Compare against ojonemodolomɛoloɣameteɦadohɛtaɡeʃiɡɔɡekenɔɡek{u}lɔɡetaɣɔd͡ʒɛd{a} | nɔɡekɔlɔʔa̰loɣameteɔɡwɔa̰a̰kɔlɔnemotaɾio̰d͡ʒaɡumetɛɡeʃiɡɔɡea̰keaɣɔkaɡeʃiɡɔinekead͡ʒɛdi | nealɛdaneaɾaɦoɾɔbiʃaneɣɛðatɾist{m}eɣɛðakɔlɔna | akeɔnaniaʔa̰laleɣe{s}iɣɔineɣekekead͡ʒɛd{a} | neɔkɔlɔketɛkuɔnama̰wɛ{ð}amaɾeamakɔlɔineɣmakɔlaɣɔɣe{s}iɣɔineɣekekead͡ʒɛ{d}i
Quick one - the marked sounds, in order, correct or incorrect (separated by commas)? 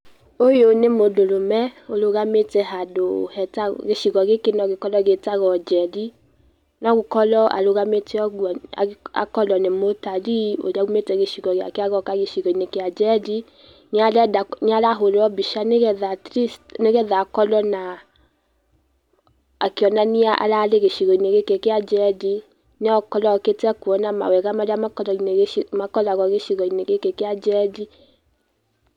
incorrect, incorrect, incorrect, incorrect, incorrect, incorrect, incorrect, correct